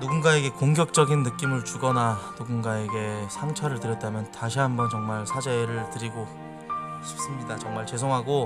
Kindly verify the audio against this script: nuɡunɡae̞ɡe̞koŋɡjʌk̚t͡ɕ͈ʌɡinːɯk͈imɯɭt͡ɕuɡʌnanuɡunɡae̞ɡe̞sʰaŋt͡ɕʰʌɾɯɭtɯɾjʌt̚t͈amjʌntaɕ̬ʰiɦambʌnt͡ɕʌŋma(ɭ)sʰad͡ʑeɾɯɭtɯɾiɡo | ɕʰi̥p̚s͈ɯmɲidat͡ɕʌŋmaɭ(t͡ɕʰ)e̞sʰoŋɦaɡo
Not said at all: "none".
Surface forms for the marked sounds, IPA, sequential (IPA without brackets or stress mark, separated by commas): ɭ, t͡ɕ